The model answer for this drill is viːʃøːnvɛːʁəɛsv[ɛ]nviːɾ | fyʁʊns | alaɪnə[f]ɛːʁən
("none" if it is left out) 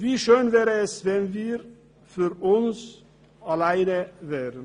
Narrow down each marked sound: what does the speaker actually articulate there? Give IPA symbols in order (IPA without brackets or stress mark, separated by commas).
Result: ɛ, v